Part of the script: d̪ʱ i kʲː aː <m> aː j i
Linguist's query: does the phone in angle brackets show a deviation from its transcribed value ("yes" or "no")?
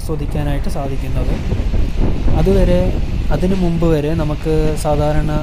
yes